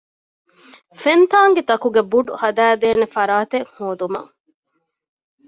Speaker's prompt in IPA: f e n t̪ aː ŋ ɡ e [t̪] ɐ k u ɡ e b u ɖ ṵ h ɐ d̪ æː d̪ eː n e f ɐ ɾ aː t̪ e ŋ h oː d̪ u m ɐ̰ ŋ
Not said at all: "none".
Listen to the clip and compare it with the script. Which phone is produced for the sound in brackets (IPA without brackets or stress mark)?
t̪